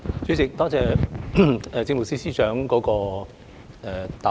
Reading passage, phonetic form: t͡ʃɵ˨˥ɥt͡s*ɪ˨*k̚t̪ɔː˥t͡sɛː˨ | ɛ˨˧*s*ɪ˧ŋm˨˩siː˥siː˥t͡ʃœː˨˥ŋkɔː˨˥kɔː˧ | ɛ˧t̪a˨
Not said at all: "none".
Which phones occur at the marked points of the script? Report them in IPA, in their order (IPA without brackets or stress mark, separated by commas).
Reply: ɪ˨, t͡s